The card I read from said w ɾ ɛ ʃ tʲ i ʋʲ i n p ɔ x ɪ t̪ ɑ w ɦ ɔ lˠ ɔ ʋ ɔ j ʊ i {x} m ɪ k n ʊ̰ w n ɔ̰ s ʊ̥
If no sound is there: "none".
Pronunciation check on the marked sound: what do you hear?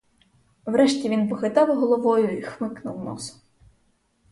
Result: x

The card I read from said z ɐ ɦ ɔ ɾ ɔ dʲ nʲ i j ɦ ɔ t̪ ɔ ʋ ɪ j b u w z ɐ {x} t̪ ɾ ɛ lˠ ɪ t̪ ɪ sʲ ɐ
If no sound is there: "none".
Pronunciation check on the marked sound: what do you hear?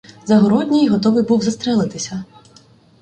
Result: s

